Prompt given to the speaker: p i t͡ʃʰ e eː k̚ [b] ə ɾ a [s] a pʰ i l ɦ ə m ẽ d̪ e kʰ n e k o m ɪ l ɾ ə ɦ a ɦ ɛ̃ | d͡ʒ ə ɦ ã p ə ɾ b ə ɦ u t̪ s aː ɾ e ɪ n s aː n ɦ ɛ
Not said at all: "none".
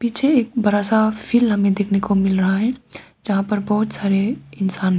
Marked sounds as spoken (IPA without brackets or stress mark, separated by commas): b, s